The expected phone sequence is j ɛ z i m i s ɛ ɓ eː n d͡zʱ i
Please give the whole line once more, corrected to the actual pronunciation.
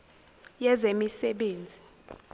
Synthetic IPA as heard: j ɛ z e m i s ɛ ɓ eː n d͡zʱ i